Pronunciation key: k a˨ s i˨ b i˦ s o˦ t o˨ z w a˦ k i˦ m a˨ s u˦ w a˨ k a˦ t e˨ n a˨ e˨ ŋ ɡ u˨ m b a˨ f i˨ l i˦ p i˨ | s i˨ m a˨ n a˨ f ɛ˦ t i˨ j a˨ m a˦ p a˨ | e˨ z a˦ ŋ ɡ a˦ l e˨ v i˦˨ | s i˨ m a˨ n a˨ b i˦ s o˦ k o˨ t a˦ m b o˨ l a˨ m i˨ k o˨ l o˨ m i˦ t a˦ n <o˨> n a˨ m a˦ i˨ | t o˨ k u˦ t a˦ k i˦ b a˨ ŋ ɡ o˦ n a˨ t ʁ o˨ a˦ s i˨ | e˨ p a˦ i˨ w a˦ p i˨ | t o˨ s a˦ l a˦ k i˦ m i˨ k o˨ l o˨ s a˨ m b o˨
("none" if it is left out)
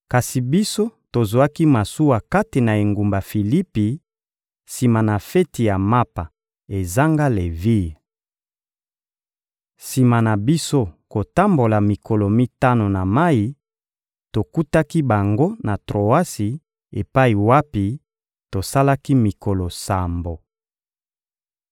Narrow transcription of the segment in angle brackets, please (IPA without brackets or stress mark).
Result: o˨